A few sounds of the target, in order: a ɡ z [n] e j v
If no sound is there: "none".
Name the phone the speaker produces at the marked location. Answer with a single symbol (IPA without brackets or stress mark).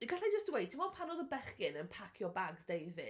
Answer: d